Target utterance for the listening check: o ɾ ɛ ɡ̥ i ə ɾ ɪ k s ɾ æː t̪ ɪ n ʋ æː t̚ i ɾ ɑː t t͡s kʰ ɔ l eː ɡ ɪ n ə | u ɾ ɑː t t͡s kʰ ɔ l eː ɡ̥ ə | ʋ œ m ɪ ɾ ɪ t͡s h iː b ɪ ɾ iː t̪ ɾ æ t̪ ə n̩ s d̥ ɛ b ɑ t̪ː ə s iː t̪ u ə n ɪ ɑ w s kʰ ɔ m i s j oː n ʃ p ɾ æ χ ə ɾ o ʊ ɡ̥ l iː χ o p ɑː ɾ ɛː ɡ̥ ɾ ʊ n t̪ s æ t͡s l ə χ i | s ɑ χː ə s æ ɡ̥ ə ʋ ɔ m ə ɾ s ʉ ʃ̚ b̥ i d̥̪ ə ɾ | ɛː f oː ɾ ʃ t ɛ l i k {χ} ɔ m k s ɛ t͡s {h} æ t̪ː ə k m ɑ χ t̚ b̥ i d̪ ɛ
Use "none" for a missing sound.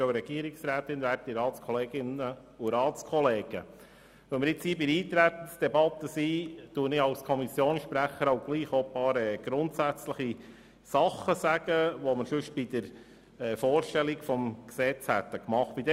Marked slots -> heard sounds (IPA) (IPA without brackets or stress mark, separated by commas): f, h